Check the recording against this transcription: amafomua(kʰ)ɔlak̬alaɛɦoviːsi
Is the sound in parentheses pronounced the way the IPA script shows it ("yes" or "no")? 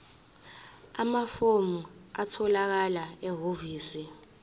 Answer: no